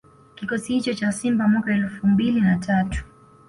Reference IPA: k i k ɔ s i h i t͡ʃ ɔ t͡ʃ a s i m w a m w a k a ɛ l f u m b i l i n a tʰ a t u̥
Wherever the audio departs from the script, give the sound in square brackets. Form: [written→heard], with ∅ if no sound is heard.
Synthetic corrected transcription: k i k ɔ s i h i t͡ʃ ɔ t͡ʃ a s i m [w→b] a m w a k a ɛ l f u m b i l i n a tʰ a t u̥